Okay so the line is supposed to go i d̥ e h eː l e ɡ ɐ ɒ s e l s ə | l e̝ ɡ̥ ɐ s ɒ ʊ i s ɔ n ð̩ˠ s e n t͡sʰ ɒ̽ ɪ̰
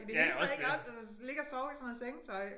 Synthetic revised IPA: i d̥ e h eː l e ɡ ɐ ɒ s æ l s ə | l e̝ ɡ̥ ɐ s ɒ ʊ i s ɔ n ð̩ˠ s e ŋ t͡sʰ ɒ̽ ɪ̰